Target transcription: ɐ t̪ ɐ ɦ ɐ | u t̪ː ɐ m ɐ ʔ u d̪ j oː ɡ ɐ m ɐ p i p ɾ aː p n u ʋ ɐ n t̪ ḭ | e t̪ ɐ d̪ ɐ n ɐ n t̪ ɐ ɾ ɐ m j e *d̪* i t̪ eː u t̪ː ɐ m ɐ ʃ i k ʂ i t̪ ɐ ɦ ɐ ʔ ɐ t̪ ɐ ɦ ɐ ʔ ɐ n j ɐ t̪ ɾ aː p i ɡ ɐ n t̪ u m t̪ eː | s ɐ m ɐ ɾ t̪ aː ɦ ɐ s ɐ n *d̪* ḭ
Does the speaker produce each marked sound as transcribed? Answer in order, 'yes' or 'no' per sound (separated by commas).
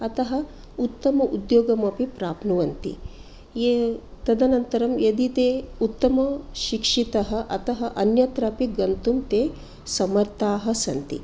yes, no